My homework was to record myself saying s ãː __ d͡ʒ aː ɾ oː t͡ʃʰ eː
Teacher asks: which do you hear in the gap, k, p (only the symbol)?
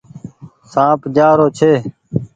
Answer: p